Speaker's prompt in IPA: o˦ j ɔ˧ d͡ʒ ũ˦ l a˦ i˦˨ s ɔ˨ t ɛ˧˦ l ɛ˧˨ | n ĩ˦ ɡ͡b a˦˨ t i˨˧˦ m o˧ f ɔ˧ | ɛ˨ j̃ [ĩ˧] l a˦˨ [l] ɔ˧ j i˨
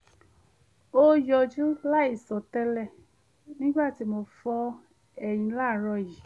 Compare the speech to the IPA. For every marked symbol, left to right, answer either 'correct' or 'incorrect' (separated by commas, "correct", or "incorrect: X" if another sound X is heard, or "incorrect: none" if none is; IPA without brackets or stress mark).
correct, incorrect: ɾ